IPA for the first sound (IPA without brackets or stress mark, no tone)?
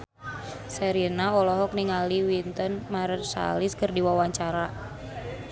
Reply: s